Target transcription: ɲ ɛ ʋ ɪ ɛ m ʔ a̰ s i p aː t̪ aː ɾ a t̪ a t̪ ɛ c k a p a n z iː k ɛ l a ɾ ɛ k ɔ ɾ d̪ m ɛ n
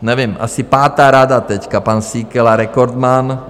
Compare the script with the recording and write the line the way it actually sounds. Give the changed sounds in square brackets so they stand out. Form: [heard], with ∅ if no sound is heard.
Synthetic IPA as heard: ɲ ɛ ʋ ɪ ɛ m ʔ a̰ s i p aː t̪ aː ɾ a [d̪] a t̪ ɛ c k a p a n [s] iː k ɛ l a ɾ ɛ k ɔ ɾ d̪ m [a] n